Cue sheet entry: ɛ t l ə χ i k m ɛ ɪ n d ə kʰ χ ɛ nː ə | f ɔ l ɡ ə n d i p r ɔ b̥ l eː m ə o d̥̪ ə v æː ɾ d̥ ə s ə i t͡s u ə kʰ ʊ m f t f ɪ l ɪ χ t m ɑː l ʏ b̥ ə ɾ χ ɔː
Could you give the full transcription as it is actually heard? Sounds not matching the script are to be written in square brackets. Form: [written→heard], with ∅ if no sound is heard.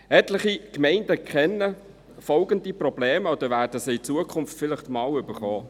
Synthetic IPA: ɛ t l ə χ i k m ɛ ɪ n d ə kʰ χ ɛ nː ə | f ɔ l ɡ ə n d i p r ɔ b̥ l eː m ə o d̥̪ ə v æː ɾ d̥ ə s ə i t͡s u ə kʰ ʊ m f t f ɪ l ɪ χ t m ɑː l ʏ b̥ ə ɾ χ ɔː